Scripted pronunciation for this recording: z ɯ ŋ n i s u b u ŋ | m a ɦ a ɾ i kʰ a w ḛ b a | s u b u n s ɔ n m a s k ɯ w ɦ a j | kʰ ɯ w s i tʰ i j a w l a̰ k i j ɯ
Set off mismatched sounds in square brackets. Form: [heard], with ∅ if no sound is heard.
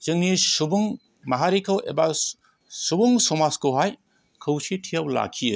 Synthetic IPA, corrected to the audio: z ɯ ŋ n i s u b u ŋ | m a ɦ a ɾ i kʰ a w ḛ b a | s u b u [ŋ] s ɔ [∅] m a s k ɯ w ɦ a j | kʰ ɯ w s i tʰ i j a w l a̰ [kʰ] i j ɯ